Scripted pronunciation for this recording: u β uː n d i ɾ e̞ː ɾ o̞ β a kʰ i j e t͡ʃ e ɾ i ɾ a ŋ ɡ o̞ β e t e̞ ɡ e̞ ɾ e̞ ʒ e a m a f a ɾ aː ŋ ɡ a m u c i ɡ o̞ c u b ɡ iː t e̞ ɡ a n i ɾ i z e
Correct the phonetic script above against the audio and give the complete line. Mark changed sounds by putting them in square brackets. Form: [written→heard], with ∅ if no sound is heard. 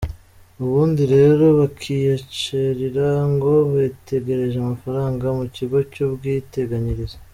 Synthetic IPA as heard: u β uː n d i ɾ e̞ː ɾ o̞ β a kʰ i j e t͡ʃ e ɾ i ɾ a ŋ ɡ o̞ β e t e̞ ɡ e̞ ɾ e̞ ʒ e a m a f a ɾ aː ŋ ɡ a m u c i ɡ o̞ c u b ɡ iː t e̞ ɡ a [n→ɲ] i ɾ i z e